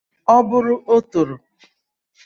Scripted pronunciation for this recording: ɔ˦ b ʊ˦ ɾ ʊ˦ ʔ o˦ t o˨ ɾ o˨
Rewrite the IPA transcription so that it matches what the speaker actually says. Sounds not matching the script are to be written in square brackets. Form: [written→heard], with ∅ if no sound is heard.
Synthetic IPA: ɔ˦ b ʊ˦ ɾ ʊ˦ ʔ o˦ t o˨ ɾ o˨